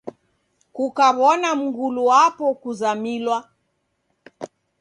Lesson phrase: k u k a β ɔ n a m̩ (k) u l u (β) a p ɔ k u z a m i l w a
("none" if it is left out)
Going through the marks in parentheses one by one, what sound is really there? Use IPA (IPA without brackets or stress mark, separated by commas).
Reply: ɡ, w